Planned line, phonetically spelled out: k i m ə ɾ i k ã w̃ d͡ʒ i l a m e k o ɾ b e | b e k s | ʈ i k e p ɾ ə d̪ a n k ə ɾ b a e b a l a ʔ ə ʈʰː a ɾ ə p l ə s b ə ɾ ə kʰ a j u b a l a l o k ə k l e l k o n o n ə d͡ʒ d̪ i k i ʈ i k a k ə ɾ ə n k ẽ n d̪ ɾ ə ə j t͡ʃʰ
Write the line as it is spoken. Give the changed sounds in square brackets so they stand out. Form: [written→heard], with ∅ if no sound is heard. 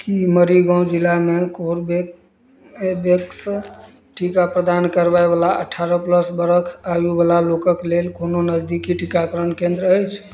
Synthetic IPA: k i m ə ɾ i [k→ɡ] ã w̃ d͡ʒ i l a m e k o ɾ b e | b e k s | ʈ i k [e→a] p ɾ ə d̪ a n k ə ɾ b a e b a l a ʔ ə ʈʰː a ɾ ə p l ə s b ə ɾ ə kʰ a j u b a l a l o k ə k l e l k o n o n ə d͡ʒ d̪ i k i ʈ i k a k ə ɾ ə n k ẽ n d̪ ɾ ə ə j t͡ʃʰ

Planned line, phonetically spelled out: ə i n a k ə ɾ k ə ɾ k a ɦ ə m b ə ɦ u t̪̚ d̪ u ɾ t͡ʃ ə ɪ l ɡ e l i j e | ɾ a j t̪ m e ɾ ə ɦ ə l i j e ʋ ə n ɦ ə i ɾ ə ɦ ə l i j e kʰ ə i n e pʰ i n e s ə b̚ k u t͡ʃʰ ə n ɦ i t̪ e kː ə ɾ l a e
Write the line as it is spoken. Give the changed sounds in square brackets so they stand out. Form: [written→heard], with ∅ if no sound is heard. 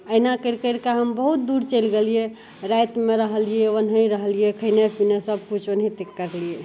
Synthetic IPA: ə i n a k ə ɾ k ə ɾ k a ɦ ə m b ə ɦ u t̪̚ d̪ u ɾ t͡ʃ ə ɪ l ɡ e l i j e | ɾ a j t̪ m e ɾ ə ɦ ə l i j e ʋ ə n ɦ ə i ɾ ə ɦ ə l i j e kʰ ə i n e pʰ i n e s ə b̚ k u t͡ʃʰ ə n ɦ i t̪ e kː ə ɾ l [a→i] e

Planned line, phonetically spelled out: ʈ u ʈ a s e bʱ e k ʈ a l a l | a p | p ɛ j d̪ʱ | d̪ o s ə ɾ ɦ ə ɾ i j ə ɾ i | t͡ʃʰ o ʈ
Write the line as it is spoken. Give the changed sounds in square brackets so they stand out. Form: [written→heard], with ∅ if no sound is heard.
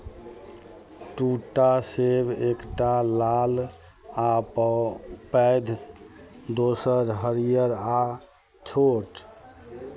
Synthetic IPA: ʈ u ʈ a s e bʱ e k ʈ a l a l | a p | p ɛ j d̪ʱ | d̪ o s ə ɾ ɦ ə ɾ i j ə ɾ [i→a] | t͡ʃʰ o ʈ

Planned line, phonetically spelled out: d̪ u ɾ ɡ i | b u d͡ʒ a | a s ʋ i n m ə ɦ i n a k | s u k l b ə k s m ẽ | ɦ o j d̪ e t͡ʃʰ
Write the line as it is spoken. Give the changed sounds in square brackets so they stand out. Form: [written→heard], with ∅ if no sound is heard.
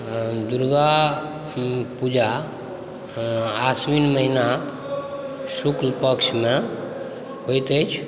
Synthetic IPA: d̪ u ɾ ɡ [i→a] | [b→p] u d͡ʒ a | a s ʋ i n m ə ɦ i n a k | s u k l [b→p] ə k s m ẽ | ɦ o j [d̪→t̪] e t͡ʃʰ

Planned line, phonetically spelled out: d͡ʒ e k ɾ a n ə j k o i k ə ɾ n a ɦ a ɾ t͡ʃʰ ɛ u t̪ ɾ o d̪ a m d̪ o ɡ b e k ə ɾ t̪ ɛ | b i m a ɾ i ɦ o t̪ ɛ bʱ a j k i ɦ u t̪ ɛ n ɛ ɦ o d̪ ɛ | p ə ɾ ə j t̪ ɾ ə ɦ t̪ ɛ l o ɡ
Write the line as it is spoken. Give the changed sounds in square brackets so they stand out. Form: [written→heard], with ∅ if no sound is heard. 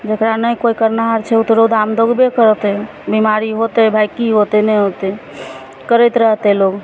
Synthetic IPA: d͡ʒ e k ɾ a n ə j k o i k ə ɾ n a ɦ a ɾ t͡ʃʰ ɛ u t̪ ɾ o d̪ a m d̪ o ɡ b e k ə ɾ t̪ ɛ | b i m a ɾ i ɦ o t̪ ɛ bʱ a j k i ɦ [u→o] t̪ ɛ n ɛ ɦ o [d̪→t̪] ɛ | [p→k] ə ɾ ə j t̪ ɾ ə ɦ t̪ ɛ l o ɡ

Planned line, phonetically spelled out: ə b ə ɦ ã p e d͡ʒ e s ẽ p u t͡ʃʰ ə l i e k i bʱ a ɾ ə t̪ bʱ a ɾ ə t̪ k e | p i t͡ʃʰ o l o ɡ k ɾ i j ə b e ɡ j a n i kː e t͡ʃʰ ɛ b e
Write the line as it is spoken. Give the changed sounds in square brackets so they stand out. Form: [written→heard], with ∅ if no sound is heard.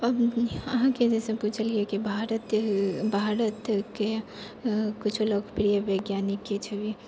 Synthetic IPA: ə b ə ɦ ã [p→k] e d͡ʒ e s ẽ p u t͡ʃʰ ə l i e k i bʱ a ɾ ə t̪ bʱ a ɾ ə t̪ k e | [p→k] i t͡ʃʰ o l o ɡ [k→p] ɾ i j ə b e ɡ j a n i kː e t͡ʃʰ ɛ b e

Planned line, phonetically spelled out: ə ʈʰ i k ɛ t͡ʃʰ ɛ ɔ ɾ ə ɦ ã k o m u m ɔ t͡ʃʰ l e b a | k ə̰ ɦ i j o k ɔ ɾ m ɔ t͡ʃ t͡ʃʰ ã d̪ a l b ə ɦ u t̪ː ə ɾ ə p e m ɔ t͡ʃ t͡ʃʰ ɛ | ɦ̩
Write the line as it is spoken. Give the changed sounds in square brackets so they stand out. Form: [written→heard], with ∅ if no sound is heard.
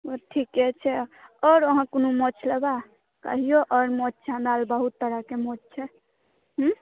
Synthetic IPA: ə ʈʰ i k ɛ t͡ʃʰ ɛ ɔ ɾ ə ɦ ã k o [m→n] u m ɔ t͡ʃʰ l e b a | k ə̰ ɦ i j o [k→ʔ] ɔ ɾ m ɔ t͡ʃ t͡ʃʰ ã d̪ a l b ə ɦ u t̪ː ə ɾ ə [p→k] e m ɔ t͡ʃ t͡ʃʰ ɛ | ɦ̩

